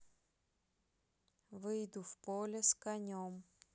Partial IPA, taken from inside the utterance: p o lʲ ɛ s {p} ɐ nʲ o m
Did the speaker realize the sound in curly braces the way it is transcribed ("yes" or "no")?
no